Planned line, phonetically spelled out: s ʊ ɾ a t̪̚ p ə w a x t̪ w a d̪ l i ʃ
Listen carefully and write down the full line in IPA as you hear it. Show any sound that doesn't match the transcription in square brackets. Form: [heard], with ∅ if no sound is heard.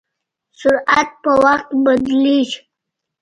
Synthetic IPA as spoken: s ʊ ɾ a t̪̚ p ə w a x t̪ [b] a d̪ l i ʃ